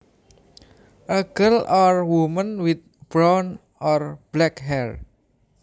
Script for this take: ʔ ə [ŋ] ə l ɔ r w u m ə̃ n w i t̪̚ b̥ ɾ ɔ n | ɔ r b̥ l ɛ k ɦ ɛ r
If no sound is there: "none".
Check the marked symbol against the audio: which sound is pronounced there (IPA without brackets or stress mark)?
ɡ